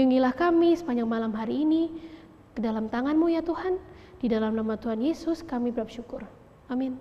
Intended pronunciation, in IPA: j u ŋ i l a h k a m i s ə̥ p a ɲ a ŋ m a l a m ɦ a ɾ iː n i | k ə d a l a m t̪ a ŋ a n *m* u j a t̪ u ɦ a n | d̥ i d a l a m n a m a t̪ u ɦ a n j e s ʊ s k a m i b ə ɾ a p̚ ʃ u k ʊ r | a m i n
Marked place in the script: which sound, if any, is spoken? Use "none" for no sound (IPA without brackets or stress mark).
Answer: m